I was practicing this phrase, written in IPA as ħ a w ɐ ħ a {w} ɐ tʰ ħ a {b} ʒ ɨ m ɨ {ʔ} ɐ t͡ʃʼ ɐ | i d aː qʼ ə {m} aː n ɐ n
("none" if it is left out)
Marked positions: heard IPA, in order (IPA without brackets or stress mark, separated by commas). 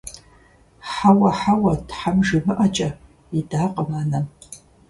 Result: w, m, ʔ, m